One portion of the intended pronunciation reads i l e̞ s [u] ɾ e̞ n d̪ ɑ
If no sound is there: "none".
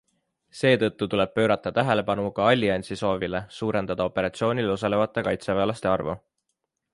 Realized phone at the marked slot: uː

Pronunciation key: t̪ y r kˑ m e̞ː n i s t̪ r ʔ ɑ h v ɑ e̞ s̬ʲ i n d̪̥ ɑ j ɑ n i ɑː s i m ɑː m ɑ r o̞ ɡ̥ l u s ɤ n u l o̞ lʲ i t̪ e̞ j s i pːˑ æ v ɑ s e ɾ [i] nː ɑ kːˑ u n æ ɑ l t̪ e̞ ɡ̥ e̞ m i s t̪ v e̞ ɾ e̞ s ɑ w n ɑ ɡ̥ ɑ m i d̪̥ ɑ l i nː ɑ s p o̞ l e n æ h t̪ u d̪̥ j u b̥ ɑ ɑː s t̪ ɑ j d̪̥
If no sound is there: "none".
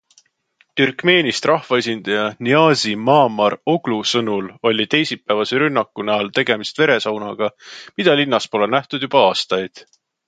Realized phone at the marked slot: y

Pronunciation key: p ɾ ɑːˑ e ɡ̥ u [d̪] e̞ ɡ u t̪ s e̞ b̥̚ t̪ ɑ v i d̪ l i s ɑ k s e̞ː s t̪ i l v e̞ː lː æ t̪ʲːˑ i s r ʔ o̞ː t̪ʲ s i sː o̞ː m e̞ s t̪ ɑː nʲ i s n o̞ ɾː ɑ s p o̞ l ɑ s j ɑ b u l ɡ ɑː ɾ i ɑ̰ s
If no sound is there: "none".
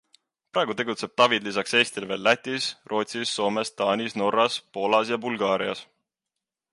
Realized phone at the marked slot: t̪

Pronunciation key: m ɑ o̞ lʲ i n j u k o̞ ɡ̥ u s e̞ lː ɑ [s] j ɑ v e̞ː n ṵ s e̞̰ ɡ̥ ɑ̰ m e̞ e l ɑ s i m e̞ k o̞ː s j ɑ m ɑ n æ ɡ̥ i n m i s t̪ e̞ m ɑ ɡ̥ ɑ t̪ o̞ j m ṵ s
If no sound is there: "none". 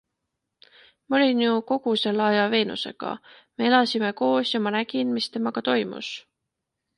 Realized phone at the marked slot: none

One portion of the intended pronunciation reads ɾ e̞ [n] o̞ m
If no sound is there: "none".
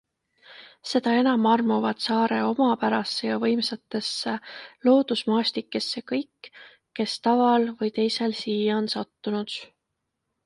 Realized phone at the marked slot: none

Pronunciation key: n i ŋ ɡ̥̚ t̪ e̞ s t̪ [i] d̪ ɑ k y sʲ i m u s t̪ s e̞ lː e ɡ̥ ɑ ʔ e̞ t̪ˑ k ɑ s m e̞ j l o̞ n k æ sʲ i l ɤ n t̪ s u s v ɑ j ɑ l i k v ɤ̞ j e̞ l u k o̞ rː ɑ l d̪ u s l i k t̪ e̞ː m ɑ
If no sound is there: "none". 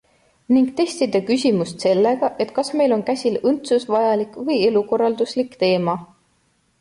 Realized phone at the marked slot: i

